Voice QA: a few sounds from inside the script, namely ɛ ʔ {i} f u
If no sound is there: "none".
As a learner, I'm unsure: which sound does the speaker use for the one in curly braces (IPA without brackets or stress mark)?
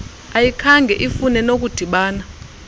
i